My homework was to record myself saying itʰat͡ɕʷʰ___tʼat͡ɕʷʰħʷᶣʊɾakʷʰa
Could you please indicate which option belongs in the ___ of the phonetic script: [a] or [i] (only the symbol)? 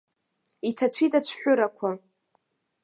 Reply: i